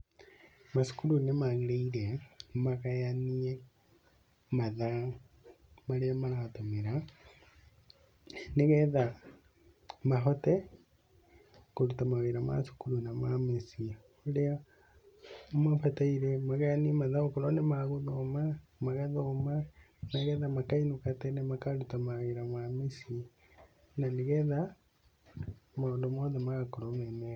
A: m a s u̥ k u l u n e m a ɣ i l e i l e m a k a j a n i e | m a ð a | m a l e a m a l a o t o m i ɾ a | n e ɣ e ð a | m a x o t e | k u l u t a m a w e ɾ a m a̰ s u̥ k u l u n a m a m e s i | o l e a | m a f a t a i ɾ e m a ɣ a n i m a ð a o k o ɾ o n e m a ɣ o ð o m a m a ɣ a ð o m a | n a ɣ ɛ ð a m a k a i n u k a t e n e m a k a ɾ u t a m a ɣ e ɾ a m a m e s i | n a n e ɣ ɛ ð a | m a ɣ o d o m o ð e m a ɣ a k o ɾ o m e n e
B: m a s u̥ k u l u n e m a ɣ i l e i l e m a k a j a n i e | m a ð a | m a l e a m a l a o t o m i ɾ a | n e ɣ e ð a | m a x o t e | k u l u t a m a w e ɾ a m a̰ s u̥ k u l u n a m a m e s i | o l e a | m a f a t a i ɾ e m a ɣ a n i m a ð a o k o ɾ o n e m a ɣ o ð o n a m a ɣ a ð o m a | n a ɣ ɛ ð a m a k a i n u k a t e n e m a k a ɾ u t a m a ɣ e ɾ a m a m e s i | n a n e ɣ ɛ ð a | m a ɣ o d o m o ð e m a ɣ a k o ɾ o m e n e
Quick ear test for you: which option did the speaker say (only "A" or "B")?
A